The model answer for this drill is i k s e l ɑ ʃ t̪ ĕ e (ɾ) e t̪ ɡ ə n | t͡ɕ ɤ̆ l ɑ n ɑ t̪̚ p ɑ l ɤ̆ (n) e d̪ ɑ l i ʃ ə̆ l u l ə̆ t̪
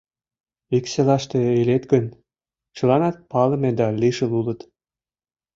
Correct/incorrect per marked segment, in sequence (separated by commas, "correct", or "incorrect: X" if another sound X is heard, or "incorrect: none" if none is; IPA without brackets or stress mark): incorrect: l, incorrect: m